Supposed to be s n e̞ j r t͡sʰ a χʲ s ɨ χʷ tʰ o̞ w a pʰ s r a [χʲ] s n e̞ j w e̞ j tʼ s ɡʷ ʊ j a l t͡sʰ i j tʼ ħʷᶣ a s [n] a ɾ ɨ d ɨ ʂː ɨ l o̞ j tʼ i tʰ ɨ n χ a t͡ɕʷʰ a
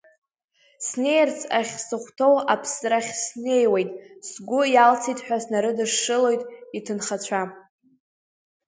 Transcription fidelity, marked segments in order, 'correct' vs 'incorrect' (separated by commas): correct, correct